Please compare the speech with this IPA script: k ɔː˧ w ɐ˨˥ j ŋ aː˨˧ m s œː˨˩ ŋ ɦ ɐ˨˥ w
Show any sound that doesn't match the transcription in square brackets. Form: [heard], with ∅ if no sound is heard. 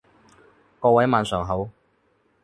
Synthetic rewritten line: k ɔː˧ w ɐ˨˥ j [m] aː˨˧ [n] s œː˨˩ ŋ ɦ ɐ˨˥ w